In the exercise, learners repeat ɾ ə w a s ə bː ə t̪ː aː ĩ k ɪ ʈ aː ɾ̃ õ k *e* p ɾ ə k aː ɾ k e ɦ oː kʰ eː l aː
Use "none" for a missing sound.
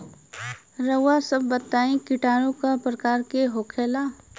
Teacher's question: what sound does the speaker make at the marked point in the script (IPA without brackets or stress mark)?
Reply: a